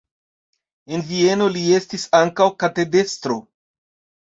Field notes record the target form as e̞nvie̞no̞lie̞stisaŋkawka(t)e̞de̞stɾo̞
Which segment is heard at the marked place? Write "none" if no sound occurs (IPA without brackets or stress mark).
t